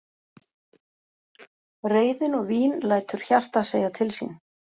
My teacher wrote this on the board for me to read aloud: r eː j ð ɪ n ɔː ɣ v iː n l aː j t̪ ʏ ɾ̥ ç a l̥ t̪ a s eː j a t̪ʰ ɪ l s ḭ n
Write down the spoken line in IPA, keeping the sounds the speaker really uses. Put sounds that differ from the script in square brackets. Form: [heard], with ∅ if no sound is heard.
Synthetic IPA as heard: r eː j ð ɪ n [ɔ] ɣ v iː n l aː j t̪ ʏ ɾ̥ ç a [r̥] t̪ a s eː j a t̪ʰ ɪ l s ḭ n